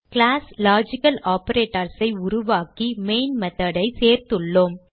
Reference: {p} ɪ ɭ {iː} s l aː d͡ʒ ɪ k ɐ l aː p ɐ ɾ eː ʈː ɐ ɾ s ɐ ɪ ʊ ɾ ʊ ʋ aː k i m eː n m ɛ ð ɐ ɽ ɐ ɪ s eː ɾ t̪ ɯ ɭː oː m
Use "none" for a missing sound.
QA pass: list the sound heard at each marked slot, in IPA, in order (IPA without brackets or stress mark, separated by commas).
k, aː